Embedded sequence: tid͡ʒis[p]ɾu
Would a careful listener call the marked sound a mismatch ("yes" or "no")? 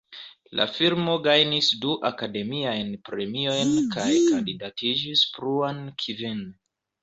no